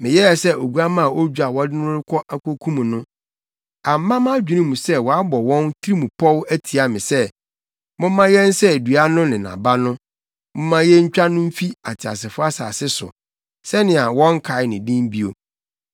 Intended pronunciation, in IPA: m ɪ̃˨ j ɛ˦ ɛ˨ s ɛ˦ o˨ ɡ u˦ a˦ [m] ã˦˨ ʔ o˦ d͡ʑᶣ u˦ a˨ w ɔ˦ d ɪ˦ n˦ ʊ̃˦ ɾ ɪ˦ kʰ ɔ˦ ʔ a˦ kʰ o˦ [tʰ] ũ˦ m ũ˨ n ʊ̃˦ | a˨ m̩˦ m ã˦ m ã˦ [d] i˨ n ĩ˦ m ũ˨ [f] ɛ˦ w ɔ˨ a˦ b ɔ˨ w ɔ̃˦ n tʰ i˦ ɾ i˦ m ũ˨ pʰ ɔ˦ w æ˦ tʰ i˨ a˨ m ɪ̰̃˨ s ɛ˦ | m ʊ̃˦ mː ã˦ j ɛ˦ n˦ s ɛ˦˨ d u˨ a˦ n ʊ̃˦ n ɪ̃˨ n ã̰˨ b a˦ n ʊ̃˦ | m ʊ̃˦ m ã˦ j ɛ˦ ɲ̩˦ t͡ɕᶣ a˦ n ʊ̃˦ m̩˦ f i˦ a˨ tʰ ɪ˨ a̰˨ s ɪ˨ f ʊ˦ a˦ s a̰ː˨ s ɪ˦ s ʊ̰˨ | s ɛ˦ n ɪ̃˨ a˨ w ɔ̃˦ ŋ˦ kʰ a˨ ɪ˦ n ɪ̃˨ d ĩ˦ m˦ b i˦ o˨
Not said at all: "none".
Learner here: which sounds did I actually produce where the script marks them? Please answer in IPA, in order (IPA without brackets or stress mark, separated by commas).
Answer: m, kʰ, d͡ʑᶣ, s